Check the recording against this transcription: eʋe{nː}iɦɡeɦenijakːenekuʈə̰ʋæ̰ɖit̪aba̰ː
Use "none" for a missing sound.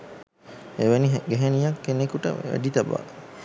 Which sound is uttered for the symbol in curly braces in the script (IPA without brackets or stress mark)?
n